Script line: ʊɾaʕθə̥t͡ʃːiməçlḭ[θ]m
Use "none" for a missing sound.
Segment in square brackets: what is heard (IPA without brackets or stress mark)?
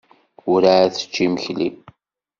none